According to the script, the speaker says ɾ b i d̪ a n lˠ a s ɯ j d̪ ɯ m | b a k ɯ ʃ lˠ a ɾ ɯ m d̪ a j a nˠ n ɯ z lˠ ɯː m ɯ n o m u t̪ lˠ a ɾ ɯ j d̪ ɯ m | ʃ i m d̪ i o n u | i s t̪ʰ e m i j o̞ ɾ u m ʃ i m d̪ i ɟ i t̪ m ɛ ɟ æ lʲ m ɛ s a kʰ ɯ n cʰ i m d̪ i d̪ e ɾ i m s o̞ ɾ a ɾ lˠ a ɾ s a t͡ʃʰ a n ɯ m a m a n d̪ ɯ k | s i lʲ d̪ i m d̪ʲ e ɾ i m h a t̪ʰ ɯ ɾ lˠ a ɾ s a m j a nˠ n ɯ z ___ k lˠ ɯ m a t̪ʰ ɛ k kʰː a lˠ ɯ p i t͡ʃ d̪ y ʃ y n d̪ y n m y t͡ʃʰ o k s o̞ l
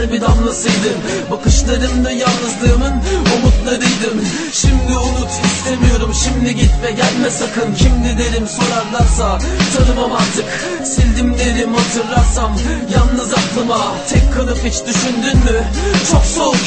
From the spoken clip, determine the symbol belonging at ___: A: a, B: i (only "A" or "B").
A